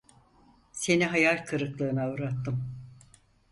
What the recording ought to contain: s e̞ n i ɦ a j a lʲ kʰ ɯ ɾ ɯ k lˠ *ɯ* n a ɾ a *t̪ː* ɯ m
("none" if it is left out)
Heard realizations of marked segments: ɯː, t̪ː

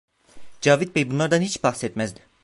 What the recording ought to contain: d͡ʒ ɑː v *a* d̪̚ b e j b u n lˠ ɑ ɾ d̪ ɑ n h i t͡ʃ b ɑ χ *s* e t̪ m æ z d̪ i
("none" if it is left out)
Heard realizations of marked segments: i, s

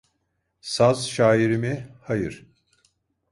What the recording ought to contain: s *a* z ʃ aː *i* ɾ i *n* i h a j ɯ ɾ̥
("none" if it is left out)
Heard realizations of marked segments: a, i, m

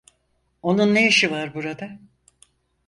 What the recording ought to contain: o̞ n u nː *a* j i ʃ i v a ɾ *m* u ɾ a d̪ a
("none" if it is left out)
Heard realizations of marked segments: e, b

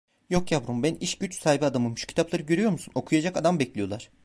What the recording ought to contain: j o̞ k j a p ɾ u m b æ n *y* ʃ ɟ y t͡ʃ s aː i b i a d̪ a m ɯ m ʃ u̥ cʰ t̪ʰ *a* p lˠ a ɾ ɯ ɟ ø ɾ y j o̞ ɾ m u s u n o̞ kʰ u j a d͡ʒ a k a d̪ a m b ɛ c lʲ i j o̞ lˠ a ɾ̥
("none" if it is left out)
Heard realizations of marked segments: i, a

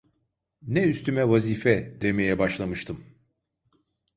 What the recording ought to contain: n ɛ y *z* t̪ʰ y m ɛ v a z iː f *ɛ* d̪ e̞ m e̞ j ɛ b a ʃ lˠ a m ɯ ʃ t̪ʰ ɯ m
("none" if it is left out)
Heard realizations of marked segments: s, ɛ

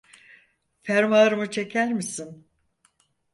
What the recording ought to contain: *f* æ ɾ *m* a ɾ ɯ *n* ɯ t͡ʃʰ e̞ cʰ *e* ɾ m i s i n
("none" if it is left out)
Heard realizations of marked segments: f, m, m, æ

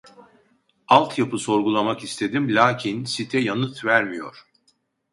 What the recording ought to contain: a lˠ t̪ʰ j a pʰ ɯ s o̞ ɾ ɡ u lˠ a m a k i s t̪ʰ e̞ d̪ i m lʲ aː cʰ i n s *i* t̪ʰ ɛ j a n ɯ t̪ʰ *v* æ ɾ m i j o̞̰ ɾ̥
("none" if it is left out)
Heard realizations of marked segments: i, v

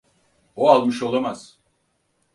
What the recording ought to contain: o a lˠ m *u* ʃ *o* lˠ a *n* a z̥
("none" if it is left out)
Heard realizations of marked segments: ɯ, o, m

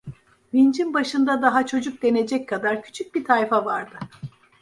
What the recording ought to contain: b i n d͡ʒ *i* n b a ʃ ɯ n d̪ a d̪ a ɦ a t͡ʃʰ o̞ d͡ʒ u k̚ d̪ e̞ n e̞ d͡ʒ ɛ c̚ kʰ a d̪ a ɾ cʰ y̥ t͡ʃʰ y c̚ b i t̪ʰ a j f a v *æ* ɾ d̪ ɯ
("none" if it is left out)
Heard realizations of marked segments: i, a

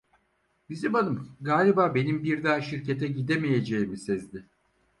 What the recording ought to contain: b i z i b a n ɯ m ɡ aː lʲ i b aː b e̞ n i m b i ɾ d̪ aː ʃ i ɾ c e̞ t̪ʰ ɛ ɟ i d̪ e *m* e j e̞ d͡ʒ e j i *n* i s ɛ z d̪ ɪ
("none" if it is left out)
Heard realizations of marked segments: m, m

